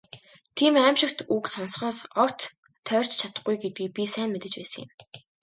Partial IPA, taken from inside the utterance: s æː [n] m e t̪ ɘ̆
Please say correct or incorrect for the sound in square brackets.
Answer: correct